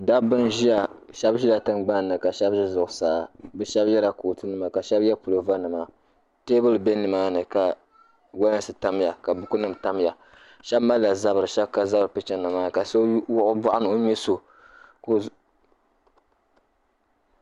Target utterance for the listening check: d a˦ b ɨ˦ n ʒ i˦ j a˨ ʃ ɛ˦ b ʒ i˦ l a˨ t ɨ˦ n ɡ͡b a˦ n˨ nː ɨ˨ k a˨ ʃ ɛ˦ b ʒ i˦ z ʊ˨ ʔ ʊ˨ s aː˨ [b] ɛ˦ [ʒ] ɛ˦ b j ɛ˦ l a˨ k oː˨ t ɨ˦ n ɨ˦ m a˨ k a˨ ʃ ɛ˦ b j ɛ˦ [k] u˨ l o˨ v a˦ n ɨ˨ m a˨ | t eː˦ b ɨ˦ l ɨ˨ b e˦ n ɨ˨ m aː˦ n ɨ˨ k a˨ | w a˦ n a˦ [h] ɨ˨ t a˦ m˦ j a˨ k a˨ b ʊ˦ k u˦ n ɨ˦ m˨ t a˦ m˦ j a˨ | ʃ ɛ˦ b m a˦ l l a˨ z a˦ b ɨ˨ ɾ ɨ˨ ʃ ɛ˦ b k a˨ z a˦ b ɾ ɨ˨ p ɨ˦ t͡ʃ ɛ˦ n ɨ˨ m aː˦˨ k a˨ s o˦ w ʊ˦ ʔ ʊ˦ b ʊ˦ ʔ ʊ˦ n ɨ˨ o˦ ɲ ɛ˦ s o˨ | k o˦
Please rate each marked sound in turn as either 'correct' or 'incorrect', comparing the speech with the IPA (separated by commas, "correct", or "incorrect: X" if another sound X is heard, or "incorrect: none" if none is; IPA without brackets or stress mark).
correct, incorrect: ʃ, incorrect: p, incorrect: s